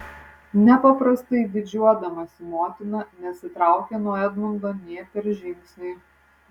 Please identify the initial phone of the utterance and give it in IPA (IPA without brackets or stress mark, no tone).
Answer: nʲ